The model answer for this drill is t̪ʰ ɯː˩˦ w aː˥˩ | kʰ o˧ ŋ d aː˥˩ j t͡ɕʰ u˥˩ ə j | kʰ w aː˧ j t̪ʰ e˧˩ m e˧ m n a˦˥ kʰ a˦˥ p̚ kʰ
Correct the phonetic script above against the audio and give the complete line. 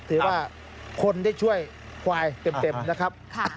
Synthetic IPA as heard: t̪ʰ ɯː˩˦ w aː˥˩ | kʰ o˧ n d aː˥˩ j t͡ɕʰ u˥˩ ə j | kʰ w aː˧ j t̪ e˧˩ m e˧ m n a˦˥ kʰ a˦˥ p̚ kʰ